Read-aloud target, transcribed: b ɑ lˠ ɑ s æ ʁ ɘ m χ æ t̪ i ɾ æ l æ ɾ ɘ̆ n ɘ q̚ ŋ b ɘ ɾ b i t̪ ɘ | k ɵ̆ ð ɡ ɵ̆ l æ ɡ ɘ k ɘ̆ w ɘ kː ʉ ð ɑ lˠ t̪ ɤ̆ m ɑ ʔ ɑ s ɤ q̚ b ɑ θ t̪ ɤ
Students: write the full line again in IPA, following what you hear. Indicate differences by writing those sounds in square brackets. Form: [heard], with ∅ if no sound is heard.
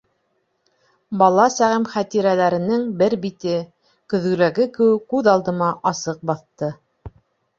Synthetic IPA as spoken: b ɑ lˠ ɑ s æ ʁ ɘ m χ æ t̪ i ɾ æ l æ ɾ ɘ̆ n ɘ [∅] ŋ b ɘ ɾ b i t̪ ɘ | k ɵ̆ ð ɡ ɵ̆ l æ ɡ ɘ k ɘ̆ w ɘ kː ʉ ð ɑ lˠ [d̪] ɤ̆ m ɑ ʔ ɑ s ɤ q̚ b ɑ θ t̪ ɤ